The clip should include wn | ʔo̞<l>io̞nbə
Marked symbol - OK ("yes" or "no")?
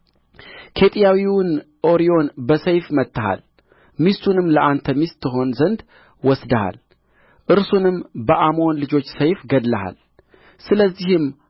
no